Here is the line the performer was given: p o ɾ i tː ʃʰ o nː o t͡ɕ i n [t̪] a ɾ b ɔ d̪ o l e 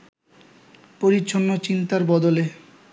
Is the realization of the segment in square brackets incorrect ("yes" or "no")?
no